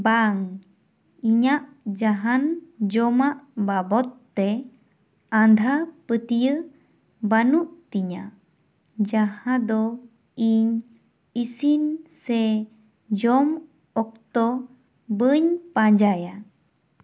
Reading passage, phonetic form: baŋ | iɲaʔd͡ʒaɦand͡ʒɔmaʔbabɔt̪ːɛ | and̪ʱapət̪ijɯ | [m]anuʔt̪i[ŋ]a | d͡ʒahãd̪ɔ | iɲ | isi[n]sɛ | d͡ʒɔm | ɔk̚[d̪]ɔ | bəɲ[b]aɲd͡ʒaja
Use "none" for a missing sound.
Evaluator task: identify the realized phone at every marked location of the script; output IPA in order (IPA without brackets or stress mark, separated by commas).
b, ɲ, n, t̪, p